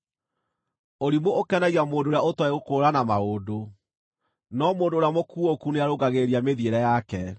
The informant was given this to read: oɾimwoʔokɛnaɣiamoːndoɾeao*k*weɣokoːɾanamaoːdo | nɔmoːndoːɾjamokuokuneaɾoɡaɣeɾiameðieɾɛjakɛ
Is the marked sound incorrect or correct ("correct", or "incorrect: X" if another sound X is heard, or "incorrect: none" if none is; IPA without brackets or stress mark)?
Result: incorrect: t